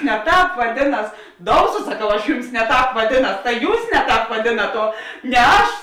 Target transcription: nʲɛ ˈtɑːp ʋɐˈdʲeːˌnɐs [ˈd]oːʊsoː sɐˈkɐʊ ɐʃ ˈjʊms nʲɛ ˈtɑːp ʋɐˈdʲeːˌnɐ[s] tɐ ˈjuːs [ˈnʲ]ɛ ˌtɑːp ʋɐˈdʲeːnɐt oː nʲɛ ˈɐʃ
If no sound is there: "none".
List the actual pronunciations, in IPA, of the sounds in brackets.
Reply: d, s, nʲ

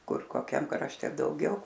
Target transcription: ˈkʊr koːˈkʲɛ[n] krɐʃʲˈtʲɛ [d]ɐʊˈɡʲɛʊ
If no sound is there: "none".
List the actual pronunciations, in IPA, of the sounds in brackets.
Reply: m, d

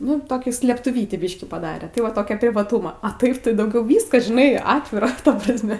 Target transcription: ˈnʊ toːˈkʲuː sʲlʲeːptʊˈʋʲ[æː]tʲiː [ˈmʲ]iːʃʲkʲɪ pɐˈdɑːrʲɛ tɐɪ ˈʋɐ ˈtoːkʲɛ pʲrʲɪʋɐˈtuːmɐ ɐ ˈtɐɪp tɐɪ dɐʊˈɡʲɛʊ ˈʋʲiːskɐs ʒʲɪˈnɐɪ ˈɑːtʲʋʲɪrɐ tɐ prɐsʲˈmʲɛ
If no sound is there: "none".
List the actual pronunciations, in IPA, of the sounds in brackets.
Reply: iː, bʲ

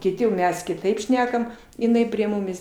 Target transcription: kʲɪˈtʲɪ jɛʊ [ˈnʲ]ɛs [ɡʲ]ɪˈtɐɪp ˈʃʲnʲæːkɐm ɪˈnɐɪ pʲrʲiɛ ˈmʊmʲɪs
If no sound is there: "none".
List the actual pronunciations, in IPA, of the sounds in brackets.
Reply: mʲ, kʲ

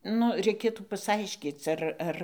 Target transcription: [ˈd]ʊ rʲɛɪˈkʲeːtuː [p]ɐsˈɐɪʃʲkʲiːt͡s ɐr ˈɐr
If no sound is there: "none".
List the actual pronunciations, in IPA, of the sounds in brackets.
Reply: n, p

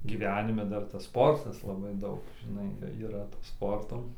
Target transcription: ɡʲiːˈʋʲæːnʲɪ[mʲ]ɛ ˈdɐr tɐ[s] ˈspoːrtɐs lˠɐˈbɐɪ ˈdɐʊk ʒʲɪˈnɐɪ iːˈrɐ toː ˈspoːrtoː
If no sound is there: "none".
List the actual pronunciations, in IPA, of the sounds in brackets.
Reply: mʲ, s

